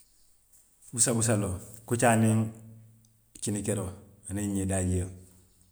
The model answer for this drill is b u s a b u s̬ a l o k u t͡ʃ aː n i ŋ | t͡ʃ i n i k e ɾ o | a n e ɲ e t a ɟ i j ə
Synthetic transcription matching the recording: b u s a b u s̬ a l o k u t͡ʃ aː n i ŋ | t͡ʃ i n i k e ɾ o | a n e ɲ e d a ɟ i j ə